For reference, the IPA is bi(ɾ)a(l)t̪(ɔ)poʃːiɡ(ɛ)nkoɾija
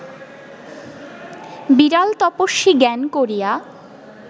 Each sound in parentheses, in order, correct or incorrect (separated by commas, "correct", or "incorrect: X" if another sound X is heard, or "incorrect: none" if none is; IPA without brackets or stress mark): correct, correct, correct, correct